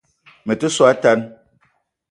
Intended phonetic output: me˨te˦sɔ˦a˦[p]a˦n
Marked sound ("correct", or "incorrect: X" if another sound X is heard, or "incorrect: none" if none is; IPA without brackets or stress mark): incorrect: t